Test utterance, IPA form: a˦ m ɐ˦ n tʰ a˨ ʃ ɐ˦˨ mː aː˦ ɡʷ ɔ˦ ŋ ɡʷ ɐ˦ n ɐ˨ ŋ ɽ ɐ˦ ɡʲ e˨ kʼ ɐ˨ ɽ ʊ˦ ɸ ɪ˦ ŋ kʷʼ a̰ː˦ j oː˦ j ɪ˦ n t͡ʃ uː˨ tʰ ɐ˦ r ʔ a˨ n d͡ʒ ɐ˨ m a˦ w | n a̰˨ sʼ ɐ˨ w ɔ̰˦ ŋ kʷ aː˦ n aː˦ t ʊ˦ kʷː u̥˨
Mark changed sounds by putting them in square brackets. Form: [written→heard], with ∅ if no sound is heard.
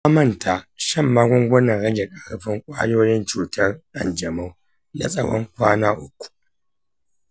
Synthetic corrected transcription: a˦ m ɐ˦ n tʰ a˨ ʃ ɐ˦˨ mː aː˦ ɡʷ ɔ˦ ŋ ɡʷ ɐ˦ n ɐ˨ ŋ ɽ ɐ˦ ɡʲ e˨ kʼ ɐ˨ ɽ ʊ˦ ɸ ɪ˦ ŋ kʷʼ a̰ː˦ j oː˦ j ɪ˦ n t͡ʃ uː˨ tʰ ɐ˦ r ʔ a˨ n d͡ʒ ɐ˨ m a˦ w | n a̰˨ sʼ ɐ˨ w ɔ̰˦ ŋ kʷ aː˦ n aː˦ [t→ʔ] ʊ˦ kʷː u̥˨